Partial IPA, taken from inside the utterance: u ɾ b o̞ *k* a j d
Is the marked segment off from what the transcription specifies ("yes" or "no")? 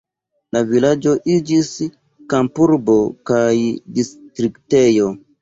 no